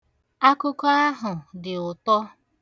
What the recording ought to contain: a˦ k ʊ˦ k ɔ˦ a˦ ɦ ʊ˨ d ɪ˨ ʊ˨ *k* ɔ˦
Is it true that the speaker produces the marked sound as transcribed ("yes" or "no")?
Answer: no